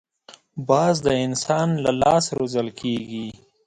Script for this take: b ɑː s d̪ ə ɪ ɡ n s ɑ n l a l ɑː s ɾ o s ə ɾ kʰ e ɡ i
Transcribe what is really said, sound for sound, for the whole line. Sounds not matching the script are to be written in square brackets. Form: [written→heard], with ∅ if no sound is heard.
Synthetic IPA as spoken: b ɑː [s→z] d̪ ə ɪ [ɡ→∅] n s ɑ n l a l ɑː s ɾ o [s→z] ə [ɾ→l] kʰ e ɡ i